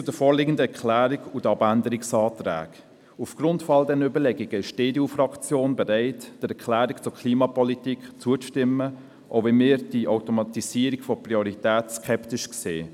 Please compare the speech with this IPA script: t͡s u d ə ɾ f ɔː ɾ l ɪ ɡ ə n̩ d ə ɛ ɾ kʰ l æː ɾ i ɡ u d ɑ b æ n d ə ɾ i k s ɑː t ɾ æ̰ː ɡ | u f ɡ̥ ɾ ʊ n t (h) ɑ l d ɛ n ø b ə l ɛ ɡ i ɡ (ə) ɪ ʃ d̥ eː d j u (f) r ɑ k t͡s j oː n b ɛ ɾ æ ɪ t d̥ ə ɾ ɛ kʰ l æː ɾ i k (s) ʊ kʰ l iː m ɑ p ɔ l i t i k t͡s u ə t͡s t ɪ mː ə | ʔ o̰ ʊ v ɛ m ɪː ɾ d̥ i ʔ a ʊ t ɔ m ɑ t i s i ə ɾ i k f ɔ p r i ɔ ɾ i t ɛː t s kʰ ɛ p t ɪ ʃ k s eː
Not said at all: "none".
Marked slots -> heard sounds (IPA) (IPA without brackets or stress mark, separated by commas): f, ə, f, t͡s